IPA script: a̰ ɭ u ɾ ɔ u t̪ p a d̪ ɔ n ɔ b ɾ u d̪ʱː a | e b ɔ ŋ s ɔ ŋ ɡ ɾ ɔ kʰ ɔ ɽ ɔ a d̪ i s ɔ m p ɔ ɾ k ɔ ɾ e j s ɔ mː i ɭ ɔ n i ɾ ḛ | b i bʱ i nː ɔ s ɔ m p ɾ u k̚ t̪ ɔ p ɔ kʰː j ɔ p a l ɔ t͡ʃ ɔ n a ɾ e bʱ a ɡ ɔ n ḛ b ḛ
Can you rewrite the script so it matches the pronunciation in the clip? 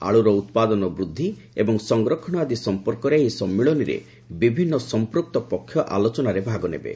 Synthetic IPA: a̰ ɭ u ɾ ɔ u t̪ p a d̪ ɔ n ɔ b ɾ u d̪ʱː i | e b ɔ ŋ s ɔ ŋ ɡ ɾ ɔ kʰ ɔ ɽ ɔ a d̪ i s ɔ m p ɔ ɾ k ɔ ɾ e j s ɔ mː i ɭ ɔ n i ɾ ḛ | b i bʱ i nː ɔ s ɔ m p ɾ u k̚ t̪ ɔ p ɔ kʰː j ɔ ʔ a l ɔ t͡ʃ ɔ n a ɾ e bʱ a ɡ ɔ n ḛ b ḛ